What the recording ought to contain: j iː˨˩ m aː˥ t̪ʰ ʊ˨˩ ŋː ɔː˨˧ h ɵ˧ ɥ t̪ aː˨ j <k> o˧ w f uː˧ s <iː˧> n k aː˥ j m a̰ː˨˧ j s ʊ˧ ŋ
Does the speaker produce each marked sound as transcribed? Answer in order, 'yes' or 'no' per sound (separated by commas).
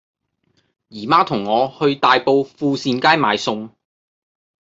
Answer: no, yes